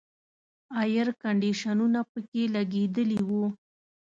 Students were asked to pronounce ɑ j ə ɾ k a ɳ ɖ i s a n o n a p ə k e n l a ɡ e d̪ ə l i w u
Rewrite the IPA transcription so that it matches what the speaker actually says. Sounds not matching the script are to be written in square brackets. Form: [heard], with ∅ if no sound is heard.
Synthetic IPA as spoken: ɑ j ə ɾ k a ɳ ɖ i [ʃ] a n [u] n a p ə k e [∅] l a ɡ e d̪ ə l i w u